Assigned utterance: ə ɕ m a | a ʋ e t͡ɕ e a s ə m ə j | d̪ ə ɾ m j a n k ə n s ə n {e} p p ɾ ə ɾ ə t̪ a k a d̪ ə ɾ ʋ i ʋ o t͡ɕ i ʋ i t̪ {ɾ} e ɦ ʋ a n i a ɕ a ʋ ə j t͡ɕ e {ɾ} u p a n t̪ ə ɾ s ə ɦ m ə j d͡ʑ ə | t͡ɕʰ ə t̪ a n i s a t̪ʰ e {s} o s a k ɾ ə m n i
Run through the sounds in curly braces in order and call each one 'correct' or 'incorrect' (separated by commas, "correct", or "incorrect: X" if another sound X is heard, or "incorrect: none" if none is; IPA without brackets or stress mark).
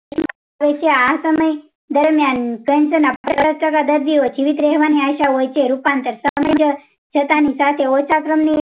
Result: incorrect: a, correct, correct, incorrect: none